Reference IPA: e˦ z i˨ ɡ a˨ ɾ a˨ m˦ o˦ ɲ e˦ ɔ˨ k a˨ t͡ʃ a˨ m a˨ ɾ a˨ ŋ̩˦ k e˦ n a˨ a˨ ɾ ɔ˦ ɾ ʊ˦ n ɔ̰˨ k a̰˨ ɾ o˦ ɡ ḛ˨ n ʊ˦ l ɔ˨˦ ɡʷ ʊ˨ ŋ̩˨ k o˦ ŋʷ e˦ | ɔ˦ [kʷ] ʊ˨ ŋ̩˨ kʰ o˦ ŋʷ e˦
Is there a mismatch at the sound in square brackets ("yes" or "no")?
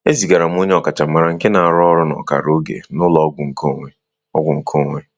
yes